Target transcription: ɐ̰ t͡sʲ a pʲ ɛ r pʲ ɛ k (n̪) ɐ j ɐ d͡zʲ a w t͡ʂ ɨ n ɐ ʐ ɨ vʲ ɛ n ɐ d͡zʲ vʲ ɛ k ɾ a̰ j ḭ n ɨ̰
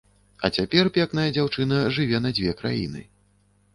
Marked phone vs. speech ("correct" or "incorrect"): correct